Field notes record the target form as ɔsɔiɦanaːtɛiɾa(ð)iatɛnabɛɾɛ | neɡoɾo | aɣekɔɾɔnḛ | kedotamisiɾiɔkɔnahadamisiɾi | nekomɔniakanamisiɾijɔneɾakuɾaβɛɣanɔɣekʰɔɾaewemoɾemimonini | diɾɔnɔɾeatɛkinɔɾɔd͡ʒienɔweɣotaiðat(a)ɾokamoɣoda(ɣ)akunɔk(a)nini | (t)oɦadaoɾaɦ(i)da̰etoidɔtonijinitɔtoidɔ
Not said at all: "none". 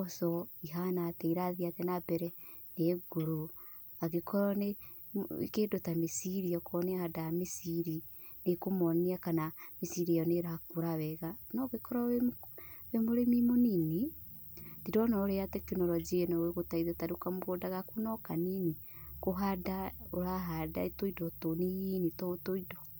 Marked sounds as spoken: ð, a, ɣ, a, k, a

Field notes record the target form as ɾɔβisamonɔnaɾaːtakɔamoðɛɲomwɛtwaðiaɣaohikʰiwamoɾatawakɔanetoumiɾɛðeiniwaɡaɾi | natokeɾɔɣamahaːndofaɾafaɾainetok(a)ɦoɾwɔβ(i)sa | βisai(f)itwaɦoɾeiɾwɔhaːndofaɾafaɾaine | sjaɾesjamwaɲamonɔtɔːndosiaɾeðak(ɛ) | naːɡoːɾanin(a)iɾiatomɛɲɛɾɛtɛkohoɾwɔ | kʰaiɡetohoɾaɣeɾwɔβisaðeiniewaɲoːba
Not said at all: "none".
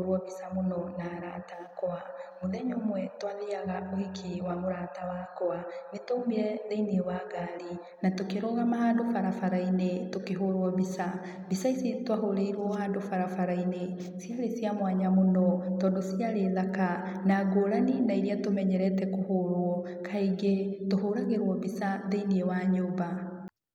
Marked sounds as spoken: e, i, s, a, a

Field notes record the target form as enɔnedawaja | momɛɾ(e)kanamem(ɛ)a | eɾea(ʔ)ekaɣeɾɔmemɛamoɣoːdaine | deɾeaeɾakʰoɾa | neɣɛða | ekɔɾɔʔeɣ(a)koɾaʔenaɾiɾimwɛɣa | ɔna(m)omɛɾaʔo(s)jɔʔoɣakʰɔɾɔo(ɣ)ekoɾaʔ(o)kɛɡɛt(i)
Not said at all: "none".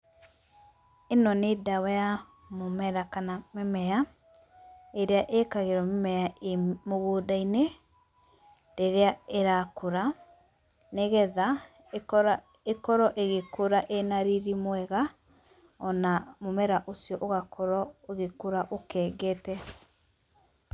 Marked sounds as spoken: a, ɛ, ʔ, e, m, s, ɣ, o, ɛ

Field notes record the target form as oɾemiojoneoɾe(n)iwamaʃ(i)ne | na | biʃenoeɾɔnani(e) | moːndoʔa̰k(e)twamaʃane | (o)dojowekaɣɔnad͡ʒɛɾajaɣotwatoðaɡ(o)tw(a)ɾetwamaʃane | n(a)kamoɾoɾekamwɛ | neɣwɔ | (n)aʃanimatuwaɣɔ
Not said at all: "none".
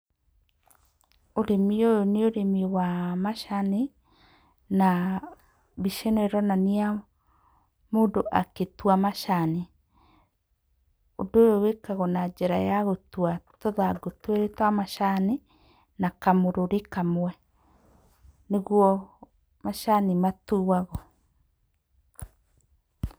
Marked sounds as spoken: m, a, a, e, o, o, e, a, m

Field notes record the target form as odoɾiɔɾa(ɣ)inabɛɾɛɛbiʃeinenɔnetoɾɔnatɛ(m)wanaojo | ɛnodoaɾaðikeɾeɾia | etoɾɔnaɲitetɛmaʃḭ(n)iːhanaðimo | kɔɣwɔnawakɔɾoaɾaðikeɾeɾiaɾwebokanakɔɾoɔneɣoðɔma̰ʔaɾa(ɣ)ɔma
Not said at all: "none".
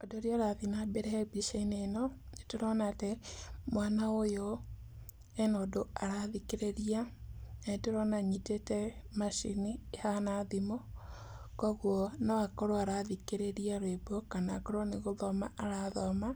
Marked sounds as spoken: ð, m, n, ð

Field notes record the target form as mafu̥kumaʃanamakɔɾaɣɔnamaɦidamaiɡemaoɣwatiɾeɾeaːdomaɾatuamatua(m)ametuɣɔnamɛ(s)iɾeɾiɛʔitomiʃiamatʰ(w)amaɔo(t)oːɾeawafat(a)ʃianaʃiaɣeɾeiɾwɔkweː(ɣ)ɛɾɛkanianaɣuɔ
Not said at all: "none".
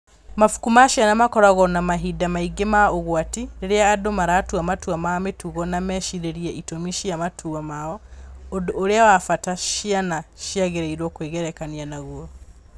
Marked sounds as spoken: m, ʃ, u, d, a, ɣ

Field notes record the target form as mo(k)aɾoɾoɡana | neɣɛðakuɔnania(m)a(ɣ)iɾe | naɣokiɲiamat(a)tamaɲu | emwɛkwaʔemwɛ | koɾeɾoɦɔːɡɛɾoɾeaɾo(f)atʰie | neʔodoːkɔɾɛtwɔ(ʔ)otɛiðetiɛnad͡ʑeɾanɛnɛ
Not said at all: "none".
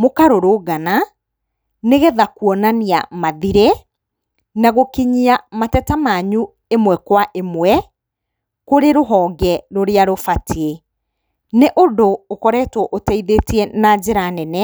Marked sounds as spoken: k, m, ð, ɛ, f, ʔ

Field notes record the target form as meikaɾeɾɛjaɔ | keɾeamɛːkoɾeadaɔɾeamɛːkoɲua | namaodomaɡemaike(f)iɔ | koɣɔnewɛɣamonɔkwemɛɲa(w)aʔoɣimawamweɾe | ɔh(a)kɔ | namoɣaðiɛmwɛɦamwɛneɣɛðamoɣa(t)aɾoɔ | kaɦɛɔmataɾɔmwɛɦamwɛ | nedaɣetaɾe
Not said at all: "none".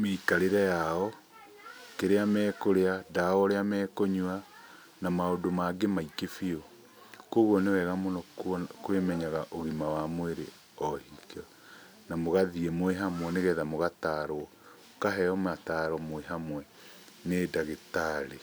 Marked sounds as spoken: f, ɣ, i, t

